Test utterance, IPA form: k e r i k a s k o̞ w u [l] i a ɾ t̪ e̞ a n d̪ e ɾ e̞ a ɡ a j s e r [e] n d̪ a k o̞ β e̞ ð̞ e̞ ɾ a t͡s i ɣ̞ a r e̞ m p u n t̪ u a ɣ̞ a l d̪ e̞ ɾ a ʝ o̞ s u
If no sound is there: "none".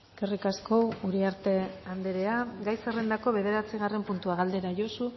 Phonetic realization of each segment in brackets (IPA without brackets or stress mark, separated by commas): ɾ, e